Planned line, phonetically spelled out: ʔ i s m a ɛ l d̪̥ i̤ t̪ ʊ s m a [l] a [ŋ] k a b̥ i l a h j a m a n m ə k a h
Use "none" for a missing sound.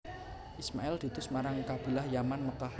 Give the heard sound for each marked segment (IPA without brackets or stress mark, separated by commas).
ɾ, ŋ